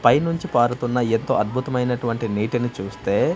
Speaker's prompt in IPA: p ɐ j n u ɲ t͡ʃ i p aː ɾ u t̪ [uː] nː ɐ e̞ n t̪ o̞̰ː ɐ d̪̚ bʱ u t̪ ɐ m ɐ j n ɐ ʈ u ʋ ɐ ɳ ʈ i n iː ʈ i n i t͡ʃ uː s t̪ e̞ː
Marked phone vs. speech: incorrect: u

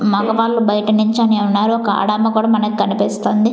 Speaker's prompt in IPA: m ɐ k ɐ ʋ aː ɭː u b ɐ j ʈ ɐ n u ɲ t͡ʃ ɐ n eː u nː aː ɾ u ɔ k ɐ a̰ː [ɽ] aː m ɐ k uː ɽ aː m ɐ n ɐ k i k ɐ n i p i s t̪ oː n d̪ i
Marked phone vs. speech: correct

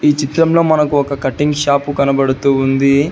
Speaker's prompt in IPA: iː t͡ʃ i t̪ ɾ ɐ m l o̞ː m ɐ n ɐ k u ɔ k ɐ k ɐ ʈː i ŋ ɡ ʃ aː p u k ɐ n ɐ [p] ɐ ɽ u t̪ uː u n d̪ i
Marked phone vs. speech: incorrect: b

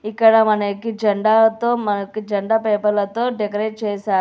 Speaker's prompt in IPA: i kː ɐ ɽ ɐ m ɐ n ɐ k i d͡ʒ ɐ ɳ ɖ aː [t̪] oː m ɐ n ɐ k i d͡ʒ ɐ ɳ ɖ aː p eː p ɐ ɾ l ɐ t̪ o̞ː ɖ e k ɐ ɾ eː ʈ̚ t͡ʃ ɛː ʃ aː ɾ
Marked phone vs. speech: correct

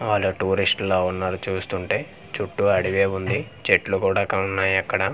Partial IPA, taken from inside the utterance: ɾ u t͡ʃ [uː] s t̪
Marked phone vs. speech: correct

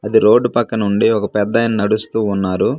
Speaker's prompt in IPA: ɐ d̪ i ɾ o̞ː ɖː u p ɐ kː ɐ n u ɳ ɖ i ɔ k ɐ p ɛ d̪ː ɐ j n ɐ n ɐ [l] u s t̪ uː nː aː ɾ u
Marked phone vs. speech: incorrect: ɽ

